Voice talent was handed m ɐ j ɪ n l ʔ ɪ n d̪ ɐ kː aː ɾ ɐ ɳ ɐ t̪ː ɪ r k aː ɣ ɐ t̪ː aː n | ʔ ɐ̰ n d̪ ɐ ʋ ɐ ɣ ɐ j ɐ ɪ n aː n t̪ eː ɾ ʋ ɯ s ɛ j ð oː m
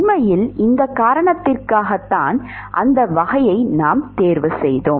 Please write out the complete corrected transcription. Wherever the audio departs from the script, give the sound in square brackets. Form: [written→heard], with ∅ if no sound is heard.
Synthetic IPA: m ɐ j ɪ [n→∅] l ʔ ɪ n d̪ ɐ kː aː ɾ ɐ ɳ ɐ t̪ː ɪ r k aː ɣ ɐ t̪ː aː n | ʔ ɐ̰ n d̪ ɐ ʋ ɐ ɣ ɐ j ɐ ɪ n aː [n→m] t̪ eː ɾ ʋ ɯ s ɛ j ð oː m